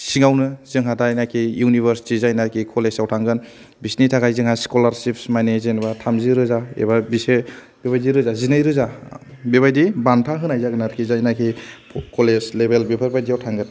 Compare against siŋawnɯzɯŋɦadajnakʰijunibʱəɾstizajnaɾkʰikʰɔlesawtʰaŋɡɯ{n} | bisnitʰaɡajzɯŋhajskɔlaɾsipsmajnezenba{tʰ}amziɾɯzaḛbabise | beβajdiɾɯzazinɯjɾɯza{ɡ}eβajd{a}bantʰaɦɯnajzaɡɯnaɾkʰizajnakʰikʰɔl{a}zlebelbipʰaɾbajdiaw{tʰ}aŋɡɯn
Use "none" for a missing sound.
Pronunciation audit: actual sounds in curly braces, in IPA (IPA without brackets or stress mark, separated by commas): n, tʰ, b, i, e, tʰ